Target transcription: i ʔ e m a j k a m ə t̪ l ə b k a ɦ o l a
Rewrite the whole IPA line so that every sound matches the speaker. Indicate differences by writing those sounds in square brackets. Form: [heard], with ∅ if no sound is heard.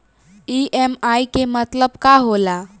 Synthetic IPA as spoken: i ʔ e m a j k [e] m ə t̪ l ə b k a ɦ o l a